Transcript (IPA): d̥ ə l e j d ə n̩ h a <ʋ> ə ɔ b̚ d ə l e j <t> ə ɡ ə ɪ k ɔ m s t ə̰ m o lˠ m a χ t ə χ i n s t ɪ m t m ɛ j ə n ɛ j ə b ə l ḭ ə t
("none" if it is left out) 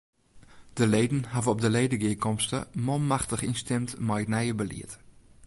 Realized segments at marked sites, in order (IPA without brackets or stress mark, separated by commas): v, d